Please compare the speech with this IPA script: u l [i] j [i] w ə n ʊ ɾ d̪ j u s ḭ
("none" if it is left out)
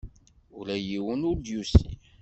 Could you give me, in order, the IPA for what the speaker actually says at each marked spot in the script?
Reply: æ, i

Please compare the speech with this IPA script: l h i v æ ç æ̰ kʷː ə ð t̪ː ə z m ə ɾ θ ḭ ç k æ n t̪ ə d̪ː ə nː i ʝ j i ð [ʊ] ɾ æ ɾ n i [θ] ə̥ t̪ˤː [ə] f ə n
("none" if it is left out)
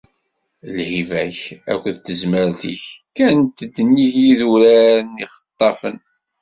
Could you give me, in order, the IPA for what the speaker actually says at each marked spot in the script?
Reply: u, χ, ɑ

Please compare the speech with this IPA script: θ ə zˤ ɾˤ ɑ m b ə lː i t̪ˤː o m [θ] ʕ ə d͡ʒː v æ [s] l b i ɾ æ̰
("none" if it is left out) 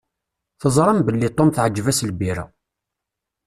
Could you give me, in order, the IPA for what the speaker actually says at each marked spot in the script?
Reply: θ, s

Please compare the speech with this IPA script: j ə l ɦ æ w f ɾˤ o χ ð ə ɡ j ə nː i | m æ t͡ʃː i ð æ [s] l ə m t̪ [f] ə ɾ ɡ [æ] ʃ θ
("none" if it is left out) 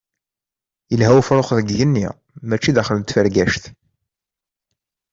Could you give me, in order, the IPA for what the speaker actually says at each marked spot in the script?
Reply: χ, f, æ

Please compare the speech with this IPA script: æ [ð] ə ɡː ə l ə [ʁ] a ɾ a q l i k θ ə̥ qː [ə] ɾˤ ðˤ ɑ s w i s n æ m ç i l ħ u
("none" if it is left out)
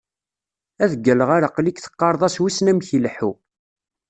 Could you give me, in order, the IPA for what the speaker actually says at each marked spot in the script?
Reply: ð, ʁ, ɑ

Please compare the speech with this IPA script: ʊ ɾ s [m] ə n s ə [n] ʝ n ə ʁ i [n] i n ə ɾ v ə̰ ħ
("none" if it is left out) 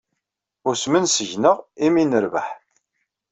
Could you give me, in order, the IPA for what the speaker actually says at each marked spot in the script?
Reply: m, none, m

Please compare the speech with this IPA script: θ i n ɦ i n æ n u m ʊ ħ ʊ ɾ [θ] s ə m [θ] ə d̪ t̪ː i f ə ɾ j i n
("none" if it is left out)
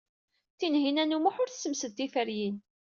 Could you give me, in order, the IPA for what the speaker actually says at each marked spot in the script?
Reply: θ, s

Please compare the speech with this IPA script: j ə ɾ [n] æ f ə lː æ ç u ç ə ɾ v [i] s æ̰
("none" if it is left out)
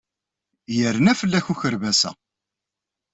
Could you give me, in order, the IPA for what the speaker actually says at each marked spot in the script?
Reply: n, æ

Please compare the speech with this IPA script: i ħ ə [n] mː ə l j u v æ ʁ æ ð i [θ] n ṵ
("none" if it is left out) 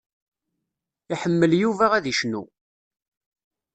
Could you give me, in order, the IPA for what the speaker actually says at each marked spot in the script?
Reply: none, ʃ

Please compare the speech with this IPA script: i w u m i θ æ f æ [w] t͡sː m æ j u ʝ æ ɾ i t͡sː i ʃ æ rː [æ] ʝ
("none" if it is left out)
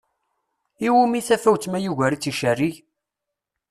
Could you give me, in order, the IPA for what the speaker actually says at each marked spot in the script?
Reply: w, i

